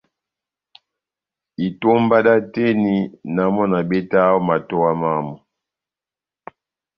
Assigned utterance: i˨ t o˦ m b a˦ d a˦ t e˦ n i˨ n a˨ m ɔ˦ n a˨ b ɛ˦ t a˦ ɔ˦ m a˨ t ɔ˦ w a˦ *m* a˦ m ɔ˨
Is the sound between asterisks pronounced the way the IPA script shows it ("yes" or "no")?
yes